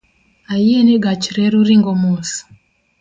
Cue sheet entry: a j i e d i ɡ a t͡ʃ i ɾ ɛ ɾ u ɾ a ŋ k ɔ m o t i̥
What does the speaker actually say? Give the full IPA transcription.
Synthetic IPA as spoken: a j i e n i ɡ a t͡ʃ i ɾ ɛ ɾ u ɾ i ŋ ɡ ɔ m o s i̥